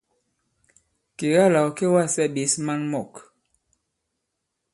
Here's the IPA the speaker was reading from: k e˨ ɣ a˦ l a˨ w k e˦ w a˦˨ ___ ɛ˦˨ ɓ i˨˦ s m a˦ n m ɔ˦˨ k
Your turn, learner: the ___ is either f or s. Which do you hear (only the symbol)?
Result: s